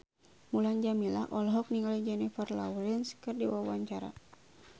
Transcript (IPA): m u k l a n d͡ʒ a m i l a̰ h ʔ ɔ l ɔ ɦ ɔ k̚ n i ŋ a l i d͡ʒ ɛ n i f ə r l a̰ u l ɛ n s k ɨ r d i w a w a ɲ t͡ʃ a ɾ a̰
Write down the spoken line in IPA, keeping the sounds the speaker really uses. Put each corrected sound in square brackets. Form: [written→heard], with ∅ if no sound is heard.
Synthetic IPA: m u [k→∅] l a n d͡ʒ a m i l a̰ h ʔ ɔ l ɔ ɦ ɔ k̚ n i ŋ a l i d͡ʒ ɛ n i f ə r l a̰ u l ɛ n s k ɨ r d i w a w a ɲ t͡ʃ a ɾ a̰

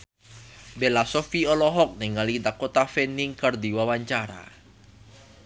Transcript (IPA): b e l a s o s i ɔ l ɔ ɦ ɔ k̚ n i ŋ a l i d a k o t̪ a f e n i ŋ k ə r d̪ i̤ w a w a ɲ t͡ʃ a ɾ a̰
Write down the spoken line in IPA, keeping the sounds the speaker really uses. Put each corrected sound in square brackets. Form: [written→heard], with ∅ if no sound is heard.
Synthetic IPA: b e l a s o [s→f] i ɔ l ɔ ɦ ɔ k̚ n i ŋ a l i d a k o t̪ a f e n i ŋ k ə r d̪ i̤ w a w a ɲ t͡ʃ a ɾ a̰

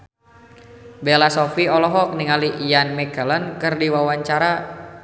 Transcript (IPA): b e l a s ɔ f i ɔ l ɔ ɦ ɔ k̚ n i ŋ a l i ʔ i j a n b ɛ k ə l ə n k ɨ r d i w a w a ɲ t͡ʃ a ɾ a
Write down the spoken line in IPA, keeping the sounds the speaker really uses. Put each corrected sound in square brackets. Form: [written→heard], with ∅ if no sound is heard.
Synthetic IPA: b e l a s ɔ f i ɔ l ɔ ɦ ɔ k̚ n i ŋ a l i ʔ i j a n [b→m] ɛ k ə l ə n k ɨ r d i w a w a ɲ t͡ʃ a ɾ a

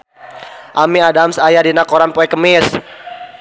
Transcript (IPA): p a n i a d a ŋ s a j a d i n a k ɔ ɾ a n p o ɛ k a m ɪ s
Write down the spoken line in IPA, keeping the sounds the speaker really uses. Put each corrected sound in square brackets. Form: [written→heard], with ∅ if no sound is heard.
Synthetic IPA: [p→ʔ] a [n→m] i a d a [ŋ→m] s a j a d i n a k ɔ ɾ a n p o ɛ k [a→ə] m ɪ s

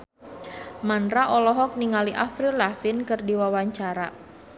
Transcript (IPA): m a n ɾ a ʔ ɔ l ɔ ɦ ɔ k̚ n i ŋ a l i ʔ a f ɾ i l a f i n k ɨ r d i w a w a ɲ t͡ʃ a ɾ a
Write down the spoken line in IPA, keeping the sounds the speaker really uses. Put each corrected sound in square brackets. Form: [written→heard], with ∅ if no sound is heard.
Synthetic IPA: m a n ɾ a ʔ ɔ l ɔ ɦ ɔ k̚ n i ŋ a l i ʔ a f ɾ i l a f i n k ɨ r d i w a w a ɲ t͡ʃ a ɾ a

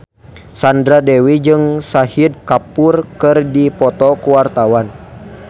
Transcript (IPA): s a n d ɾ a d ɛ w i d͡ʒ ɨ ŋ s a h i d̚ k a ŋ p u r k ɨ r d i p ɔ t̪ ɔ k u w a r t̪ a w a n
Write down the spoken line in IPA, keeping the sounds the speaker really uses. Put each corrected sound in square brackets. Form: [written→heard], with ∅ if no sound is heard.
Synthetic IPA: s a n d ɾ a d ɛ w i d͡ʒ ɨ ŋ s a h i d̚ k a [ŋ→∅] p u r k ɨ r d i p ɔ t̪ ɔ k u w a r t̪ a w a n

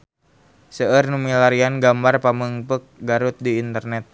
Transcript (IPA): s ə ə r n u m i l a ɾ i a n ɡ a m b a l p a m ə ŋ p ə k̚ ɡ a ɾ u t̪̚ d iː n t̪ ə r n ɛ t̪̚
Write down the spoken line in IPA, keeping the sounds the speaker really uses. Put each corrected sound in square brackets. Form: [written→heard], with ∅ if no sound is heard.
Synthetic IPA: s ə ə r n u m i l a ɾ i a n ɡ a m b a [l→r] p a m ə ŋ p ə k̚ ɡ a ɾ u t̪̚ d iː n t̪ ə r n ɛ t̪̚

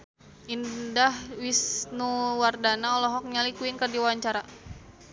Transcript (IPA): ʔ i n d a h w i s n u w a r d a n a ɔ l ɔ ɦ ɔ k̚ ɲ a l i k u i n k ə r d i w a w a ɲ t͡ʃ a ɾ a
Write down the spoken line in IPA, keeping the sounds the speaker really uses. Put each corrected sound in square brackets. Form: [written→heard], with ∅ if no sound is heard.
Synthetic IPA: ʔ i n d a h w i s n u w a r d a n a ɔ l ɔ ɦ ɔ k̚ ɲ a l i k u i n k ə r d i w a w a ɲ t͡ʃ a ɾ a

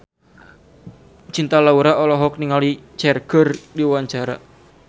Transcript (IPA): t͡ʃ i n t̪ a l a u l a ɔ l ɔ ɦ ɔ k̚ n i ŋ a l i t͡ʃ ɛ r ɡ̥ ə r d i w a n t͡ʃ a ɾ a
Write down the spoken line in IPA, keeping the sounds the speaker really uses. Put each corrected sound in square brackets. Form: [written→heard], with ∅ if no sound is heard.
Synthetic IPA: t͡ʃ i n t̪ a l a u [l→ɾ] a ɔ l ɔ ɦ ɔ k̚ n i ŋ a l i t͡ʃ ɛ r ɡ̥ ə r d i w a [n→ɲ] t͡ʃ a ɾ a

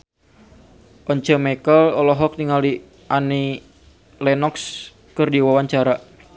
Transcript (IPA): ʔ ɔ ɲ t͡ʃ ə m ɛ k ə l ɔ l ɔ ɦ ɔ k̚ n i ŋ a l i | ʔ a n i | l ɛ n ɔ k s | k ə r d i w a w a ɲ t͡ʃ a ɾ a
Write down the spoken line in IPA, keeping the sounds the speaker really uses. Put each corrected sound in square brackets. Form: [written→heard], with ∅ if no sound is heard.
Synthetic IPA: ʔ ɔ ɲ t͡ʃ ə m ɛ k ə l ɔ l ɔ ɦ ɔ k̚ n i ŋ a l i | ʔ a n i | l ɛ n ɔ k s | k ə r d i w a w a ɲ t͡ʃ a ɾ a

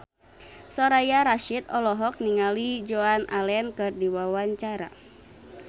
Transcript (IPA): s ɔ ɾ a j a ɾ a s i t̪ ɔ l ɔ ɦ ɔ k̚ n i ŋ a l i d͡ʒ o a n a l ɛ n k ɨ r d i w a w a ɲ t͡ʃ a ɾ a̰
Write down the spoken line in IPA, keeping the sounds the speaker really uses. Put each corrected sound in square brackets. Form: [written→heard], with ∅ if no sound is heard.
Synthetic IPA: s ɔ ɾ a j a ɾ a [s→ʃ] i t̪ ɔ l ɔ ɦ ɔ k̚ n i ŋ a l i d͡ʒ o a n a l ɛ n k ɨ r d i w a w a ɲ t͡ʃ a ɾ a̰

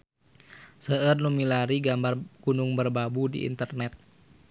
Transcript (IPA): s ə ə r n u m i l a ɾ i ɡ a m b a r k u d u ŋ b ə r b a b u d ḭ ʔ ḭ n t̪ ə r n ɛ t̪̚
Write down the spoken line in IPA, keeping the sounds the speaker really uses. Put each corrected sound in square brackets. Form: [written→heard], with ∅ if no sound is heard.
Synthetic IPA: s ə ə r n u m i l a ɾ i ɡ a m b a r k u [d→n] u ŋ b ə r b a b u d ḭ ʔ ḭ n t̪ ə r n ɛ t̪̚

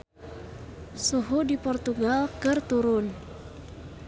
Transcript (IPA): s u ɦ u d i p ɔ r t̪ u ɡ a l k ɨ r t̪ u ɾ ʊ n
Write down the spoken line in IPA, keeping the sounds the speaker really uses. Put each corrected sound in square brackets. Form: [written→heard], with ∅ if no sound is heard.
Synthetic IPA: s u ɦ u d i p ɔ r t̪ u ɡ a l k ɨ r t̪ u ɾ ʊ n

